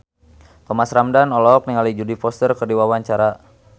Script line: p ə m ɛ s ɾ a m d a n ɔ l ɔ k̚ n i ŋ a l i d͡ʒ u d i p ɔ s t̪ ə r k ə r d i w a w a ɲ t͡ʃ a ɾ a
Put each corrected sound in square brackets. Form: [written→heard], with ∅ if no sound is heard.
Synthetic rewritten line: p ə m [ɛ→a] s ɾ a m d a n ɔ l ɔ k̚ n i ŋ a l i d͡ʒ u d i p ɔ s t̪ ə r k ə r d i w a w a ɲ t͡ʃ a ɾ a